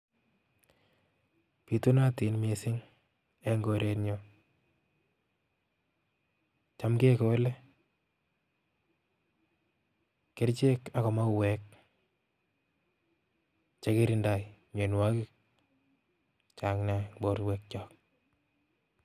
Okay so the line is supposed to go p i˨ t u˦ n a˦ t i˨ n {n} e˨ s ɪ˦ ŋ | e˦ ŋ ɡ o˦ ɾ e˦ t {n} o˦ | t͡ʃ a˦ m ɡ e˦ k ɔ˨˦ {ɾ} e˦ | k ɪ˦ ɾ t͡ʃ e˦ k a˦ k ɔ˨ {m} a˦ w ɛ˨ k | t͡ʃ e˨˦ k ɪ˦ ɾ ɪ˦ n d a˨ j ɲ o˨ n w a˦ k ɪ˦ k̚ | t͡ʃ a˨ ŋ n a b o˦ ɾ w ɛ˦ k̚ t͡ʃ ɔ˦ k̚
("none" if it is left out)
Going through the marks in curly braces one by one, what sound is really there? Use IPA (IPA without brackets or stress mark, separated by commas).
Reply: m, ɲ, l, m